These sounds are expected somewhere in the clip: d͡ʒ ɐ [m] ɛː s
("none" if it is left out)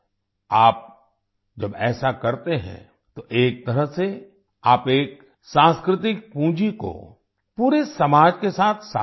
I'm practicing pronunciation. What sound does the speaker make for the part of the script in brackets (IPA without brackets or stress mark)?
b